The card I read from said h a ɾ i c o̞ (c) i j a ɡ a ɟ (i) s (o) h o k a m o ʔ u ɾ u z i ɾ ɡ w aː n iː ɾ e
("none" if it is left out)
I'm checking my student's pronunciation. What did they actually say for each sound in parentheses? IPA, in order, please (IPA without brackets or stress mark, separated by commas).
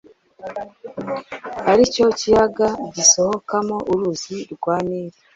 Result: c, i, o